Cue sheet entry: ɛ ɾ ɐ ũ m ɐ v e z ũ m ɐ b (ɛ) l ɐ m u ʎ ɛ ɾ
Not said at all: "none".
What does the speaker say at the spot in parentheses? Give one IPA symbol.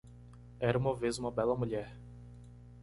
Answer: ɛ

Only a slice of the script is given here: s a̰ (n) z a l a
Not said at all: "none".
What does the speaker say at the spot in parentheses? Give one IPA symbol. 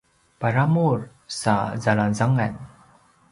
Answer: none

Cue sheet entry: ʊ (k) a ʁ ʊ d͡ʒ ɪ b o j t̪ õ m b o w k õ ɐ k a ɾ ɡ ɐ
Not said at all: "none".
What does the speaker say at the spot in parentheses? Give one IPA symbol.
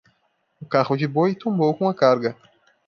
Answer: k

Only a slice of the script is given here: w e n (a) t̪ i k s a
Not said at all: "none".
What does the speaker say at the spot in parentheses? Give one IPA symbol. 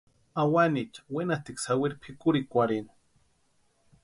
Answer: a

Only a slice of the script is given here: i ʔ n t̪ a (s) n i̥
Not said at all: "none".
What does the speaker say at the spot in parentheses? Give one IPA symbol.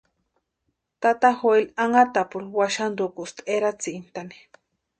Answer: none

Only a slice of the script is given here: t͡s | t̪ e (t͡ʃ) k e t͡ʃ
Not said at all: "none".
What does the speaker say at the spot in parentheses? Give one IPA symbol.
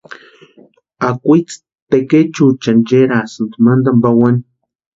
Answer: none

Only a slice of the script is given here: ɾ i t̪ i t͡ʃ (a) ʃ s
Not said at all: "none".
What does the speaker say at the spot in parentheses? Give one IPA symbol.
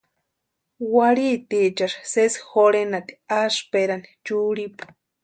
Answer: a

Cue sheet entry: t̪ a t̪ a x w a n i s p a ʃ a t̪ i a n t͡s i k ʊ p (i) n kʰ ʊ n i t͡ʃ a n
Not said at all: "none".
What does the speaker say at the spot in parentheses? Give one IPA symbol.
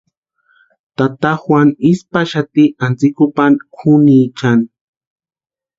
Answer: a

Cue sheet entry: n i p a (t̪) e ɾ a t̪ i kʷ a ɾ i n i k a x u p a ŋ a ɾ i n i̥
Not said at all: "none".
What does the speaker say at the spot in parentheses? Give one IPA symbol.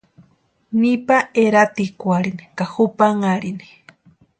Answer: none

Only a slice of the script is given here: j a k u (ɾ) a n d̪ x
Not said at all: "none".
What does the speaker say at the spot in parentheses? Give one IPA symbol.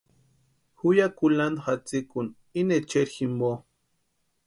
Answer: l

